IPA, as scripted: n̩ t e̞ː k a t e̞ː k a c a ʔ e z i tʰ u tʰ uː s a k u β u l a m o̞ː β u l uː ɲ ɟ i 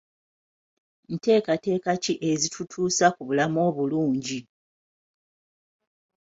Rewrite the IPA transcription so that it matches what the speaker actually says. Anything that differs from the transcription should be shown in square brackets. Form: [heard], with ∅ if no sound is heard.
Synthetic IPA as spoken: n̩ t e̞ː k a t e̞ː k a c [i] ʔ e z i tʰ u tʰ uː s a k u β u l a m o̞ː β u l uː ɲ ɟ i